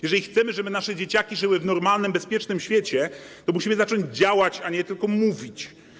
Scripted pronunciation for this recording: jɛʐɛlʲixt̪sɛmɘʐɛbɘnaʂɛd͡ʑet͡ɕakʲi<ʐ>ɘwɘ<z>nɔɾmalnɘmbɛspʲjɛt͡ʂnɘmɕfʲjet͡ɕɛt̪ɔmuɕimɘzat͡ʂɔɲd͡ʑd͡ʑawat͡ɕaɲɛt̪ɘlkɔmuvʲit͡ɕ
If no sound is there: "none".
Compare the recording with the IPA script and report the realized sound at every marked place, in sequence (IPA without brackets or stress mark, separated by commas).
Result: ʐ, v